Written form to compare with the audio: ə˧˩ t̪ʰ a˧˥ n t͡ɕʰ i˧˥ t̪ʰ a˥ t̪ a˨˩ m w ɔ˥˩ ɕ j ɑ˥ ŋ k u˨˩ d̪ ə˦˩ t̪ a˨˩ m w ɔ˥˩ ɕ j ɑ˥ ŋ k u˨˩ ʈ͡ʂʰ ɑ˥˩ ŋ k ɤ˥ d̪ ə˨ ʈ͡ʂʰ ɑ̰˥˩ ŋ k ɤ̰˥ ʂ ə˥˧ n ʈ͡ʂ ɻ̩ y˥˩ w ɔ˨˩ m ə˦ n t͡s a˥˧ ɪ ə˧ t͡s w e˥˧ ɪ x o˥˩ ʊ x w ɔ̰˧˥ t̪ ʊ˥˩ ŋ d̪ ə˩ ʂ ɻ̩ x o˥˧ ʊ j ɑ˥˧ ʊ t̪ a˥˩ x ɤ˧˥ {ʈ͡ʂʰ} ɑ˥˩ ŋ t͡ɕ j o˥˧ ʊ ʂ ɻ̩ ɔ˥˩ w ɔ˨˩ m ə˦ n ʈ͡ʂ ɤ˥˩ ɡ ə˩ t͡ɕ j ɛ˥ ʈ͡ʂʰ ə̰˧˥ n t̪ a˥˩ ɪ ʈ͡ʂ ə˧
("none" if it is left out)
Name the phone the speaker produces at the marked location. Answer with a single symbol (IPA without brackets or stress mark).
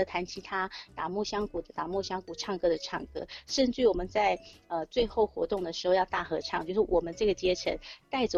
ʈ͡ʂʰ